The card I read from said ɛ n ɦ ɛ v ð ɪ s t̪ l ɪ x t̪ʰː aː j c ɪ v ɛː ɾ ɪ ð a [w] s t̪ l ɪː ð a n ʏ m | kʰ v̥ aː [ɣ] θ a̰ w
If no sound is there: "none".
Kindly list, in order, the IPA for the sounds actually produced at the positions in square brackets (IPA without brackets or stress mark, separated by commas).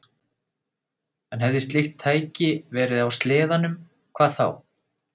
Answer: w, ð